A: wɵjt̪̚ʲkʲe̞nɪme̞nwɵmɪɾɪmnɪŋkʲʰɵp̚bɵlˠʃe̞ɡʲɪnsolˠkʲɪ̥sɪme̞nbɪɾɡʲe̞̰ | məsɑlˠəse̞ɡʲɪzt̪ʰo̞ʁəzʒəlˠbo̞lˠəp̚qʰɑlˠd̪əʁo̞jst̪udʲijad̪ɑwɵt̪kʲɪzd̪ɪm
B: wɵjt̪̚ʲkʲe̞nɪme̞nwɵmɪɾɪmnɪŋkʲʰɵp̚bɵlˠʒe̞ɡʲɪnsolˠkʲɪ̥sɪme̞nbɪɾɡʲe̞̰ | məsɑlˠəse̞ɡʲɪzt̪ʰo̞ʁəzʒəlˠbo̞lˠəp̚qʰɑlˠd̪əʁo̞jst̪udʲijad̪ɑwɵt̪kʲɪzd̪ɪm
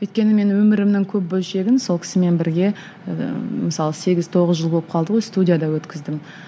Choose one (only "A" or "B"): A